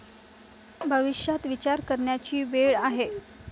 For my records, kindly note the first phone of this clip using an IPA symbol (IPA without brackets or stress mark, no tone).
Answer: bʱ